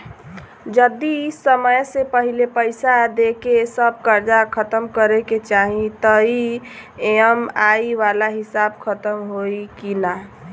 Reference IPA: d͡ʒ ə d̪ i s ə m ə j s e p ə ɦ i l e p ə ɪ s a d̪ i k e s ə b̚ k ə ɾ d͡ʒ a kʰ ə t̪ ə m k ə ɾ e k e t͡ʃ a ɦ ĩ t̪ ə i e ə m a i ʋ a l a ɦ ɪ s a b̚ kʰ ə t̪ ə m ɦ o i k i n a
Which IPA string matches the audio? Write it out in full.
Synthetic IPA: d͡ʒ ə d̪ i s ə m ə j s e p ə ɦ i l e p ə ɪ s a d̪ e k e s ə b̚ k ə ɾ d͡ʒ a kʰ ə t̪ ə m k ə ɾ e k e t͡ʃ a ɦ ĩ t̪ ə i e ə m a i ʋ a l a ɦ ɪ s a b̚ kʰ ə t̪ ə m ɦ o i k i n a